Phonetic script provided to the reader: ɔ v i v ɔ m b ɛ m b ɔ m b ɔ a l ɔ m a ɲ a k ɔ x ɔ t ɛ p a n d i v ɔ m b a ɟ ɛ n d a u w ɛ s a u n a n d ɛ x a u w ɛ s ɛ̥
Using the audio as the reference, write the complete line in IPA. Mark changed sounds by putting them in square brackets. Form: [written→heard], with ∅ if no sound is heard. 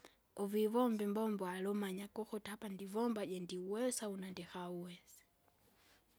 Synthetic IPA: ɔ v i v ɔ m b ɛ m b ɔ m b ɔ a l ɔ m a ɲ a k ɔ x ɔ t [ɛ→a] p a n d i v ɔ m b a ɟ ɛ n d [a→i] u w ɛ s a u n a n d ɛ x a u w ɛ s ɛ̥